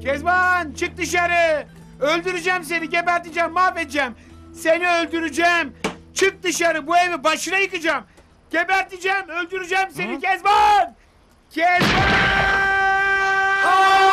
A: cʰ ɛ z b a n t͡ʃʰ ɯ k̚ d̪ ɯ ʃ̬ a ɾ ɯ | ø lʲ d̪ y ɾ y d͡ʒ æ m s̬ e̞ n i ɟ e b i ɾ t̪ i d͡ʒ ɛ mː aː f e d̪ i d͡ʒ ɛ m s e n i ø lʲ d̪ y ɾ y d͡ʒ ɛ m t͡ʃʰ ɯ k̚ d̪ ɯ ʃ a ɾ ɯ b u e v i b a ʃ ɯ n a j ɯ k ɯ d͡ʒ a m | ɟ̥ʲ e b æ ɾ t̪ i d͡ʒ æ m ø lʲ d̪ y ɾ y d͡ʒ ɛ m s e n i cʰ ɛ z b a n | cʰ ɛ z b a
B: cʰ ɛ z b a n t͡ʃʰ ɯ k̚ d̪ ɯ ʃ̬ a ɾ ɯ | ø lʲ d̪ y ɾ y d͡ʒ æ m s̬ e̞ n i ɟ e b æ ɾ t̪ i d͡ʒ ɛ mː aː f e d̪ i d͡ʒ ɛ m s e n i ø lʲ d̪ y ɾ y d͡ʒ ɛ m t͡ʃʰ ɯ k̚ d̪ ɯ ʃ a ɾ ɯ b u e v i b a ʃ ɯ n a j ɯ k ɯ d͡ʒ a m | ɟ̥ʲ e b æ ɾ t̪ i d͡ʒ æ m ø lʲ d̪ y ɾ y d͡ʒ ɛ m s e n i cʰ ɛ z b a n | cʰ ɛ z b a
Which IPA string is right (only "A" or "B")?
B